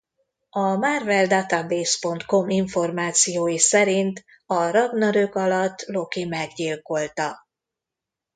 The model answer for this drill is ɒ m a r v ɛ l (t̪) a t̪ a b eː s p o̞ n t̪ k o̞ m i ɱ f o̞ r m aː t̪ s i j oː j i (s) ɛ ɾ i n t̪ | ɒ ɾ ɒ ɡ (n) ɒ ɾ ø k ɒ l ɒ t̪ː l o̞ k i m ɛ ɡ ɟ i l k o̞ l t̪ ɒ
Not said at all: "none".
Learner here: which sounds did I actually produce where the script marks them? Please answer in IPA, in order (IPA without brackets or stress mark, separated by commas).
d̪, s, n